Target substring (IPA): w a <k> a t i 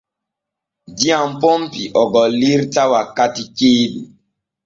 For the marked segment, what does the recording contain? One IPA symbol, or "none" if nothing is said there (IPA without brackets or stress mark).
k